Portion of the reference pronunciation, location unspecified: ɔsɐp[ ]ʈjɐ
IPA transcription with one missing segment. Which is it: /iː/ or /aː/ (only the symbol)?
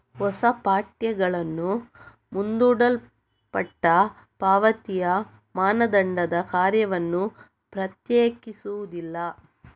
aː